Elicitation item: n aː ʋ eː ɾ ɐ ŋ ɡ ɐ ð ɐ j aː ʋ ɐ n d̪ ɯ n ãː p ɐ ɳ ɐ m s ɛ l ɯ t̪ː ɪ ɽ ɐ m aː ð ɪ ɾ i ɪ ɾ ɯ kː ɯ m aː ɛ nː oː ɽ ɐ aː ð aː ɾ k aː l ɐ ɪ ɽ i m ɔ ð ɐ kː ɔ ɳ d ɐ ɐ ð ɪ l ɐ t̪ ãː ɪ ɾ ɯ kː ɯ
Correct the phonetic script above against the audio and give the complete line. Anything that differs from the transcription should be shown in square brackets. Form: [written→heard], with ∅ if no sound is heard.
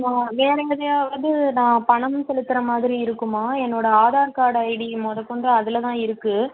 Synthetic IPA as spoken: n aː ʋ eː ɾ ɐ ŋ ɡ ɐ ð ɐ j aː ʋ ɐ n d̪ ɯ n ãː p ɐ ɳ ɐ m s ɛ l ɯ t̪ː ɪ [ɽ→ɾ] ɐ m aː ð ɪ ɾ i ɪ ɾ ɯ kː ɯ m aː ɛ nː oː ɽ ɐ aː ð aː ɾ k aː [l→ɽ] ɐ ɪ ɽ i m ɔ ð ɐ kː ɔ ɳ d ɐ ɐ ð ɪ l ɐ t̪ ãː ɪ ɾ ɯ kː ɯ